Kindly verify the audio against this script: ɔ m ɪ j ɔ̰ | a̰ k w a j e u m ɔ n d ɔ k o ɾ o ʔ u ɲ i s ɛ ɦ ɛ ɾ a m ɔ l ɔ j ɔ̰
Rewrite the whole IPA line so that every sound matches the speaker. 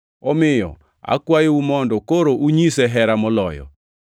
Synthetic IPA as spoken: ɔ m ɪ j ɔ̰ | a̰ k w a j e u m ɔ n d ɔ k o ɾ o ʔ u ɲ i s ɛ ɦ ɛ ɾ a m ɔ l ɔ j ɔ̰